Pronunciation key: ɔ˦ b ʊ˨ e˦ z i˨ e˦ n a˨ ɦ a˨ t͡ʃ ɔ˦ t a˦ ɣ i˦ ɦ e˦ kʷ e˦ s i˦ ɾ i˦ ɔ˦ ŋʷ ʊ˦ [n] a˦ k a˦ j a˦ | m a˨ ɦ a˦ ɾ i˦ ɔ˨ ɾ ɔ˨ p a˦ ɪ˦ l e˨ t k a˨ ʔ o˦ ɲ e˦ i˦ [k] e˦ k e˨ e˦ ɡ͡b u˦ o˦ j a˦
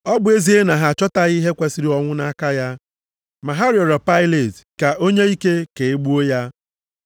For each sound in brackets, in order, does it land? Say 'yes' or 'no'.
yes, yes

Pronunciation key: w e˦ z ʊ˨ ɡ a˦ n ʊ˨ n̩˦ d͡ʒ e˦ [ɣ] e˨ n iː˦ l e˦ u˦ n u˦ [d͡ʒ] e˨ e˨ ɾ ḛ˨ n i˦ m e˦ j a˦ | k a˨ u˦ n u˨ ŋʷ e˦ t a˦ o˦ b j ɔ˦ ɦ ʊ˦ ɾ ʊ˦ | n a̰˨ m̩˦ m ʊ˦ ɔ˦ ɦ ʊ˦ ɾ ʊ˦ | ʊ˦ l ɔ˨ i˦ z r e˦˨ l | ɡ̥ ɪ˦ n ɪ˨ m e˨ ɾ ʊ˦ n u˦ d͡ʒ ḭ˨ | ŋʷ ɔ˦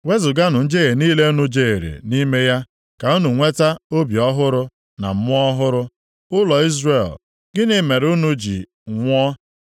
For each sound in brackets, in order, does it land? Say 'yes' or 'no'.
yes, yes

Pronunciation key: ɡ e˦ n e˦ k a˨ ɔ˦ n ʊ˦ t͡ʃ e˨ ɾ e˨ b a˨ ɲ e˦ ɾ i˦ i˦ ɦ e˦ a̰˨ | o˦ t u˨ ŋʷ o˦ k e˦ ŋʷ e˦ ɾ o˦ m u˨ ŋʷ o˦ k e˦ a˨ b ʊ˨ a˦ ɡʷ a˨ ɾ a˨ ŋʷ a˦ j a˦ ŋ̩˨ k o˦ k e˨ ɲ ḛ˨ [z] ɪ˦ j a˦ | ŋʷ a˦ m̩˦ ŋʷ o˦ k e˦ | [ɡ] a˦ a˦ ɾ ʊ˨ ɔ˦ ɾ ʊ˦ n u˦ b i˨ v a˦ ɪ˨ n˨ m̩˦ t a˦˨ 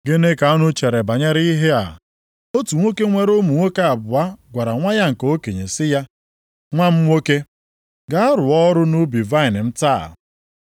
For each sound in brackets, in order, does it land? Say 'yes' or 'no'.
no, yes

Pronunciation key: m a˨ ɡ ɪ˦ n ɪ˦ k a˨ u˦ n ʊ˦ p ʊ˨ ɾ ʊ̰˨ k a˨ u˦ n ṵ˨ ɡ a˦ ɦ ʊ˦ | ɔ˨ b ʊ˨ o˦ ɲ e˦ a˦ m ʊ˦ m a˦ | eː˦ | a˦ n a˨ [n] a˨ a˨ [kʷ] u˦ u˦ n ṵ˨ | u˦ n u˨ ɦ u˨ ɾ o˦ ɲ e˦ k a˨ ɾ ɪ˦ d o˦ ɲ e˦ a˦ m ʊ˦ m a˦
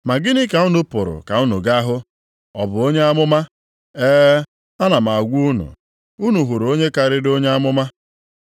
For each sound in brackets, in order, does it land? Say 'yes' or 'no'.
no, no

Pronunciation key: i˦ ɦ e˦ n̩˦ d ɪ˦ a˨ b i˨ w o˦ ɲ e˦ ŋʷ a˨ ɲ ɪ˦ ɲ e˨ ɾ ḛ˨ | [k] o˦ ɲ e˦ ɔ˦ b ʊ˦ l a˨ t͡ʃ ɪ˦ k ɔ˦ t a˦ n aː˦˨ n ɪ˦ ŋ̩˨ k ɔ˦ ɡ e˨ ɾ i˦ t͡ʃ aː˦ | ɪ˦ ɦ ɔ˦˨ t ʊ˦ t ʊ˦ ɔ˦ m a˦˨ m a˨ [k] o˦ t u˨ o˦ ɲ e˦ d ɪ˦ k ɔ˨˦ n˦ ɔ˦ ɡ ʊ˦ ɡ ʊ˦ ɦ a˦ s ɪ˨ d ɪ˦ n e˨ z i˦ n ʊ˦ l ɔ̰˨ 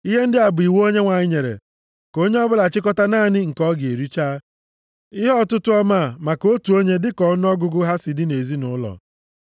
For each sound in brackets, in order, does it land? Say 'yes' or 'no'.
yes, yes

